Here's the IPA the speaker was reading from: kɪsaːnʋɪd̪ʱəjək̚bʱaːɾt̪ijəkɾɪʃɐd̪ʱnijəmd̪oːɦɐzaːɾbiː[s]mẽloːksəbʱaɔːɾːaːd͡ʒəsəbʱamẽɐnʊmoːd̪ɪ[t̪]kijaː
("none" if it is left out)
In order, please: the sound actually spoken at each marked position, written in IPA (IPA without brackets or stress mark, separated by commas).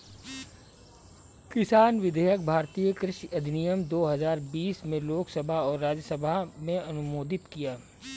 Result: s, t̪